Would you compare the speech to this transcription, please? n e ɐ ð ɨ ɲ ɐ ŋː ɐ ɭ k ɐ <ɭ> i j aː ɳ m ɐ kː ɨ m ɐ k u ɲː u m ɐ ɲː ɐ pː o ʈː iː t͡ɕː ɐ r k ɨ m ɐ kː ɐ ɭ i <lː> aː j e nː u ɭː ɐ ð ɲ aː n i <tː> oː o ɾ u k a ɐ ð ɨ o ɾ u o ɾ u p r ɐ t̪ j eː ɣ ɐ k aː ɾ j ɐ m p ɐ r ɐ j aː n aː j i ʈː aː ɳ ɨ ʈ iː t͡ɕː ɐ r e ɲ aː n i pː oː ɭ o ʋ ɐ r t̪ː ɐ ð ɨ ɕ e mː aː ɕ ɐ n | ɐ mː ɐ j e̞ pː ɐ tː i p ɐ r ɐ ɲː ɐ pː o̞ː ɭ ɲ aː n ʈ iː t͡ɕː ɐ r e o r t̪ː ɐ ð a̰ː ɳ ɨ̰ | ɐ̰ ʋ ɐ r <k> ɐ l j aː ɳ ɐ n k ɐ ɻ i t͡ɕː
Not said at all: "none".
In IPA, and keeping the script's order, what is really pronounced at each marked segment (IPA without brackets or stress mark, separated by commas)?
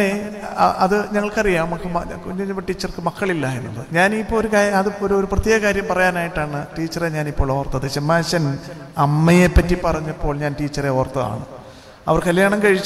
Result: r, lː, pː, k